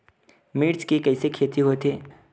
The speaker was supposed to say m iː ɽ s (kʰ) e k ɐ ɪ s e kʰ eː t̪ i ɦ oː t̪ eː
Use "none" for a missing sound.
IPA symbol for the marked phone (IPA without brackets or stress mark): k